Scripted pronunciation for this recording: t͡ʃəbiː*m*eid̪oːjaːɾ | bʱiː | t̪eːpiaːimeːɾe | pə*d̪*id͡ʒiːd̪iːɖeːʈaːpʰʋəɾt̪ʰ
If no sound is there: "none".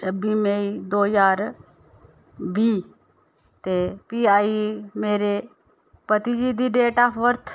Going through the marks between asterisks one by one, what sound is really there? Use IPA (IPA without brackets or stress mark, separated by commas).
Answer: m, t̪